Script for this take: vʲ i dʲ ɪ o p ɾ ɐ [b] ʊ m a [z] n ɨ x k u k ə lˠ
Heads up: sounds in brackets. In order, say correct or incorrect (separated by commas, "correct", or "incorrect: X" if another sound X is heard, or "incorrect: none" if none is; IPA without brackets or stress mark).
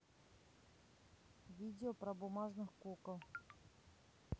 correct, incorrect: ʐ